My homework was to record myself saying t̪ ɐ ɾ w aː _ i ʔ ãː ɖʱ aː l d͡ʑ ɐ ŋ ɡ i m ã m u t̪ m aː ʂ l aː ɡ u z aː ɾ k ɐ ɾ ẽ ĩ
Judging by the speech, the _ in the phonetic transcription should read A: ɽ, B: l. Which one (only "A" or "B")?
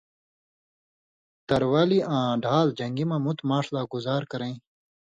B